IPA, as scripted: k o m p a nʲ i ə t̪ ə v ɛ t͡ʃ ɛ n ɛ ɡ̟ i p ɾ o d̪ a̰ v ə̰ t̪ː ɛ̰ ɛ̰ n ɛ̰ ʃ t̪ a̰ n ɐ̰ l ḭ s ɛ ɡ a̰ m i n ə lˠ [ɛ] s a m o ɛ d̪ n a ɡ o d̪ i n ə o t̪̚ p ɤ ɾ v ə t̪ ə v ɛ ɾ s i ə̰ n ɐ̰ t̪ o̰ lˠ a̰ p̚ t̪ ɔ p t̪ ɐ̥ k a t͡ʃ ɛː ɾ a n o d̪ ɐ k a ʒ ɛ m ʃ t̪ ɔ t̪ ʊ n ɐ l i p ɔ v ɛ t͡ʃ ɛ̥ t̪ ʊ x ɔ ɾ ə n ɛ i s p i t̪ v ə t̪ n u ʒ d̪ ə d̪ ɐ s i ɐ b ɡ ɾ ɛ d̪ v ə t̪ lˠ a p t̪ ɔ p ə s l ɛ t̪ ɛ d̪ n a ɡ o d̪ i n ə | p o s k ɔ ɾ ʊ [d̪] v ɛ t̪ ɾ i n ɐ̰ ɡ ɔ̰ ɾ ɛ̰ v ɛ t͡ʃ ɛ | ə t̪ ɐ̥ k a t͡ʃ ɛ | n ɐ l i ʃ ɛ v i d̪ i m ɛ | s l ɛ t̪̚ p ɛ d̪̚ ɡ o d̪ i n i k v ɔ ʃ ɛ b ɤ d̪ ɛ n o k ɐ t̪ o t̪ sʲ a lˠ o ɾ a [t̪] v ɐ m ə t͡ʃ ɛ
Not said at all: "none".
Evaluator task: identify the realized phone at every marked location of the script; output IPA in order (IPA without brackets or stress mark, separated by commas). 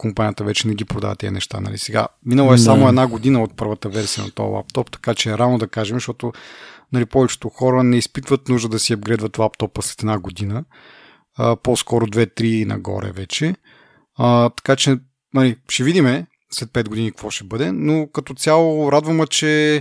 ɛ, d̪, d̪